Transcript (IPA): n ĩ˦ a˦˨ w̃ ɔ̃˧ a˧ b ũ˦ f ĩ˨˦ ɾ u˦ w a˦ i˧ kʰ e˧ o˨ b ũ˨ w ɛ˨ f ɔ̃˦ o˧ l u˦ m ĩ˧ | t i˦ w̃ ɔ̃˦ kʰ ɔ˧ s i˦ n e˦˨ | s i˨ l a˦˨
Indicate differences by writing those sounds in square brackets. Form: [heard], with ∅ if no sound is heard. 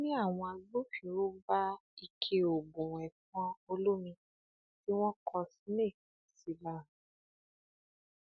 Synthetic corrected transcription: n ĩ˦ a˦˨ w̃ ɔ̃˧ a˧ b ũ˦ f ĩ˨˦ ɾ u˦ [b] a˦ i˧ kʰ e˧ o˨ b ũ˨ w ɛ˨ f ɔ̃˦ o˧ l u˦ m ĩ˧ | t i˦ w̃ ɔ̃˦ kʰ ɔ˧ s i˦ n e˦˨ | s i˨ l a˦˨

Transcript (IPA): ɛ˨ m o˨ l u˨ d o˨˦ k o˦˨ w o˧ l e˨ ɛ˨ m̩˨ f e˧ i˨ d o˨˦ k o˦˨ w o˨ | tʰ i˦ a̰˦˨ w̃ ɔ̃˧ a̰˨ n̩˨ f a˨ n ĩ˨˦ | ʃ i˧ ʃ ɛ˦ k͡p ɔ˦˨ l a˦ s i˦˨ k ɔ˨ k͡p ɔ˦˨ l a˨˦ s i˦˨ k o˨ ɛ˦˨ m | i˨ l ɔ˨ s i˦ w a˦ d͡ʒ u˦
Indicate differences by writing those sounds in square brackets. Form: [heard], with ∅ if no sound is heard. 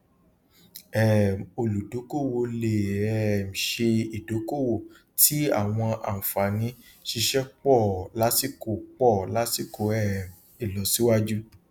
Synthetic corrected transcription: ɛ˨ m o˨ l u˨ d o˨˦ k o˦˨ w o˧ l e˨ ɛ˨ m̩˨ [ʃ] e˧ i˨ d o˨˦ k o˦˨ w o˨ | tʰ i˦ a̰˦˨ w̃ ɔ̃˧ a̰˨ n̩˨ f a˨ n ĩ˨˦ | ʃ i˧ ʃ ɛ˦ k͡p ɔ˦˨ l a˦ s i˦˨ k [o˨] k͡p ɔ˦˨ l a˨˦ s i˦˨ k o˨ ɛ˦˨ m | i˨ l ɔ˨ s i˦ w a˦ d͡ʒ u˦

